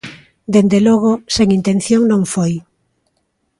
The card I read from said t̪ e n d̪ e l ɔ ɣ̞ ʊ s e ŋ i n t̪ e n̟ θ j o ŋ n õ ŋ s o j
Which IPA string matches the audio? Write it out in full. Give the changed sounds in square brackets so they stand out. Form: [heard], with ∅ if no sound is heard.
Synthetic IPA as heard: [d̪] e n d̪ e l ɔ ɣ̞ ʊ s e ŋ i n t̪ e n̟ θ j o ŋ n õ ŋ [f] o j